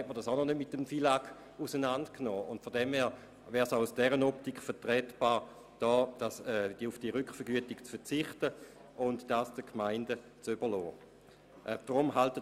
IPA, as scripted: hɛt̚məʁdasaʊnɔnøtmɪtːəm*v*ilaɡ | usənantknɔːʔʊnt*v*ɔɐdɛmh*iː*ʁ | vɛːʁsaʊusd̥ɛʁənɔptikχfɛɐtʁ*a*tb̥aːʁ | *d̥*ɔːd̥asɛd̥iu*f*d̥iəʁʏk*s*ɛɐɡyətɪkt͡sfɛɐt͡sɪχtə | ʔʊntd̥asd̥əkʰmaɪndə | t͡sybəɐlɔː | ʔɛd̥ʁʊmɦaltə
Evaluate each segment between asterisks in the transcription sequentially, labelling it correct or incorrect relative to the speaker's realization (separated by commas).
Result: incorrect, incorrect, incorrect, incorrect, correct, correct, incorrect